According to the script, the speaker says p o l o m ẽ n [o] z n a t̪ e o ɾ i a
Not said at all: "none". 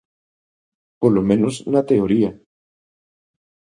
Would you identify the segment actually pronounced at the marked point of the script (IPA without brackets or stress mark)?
o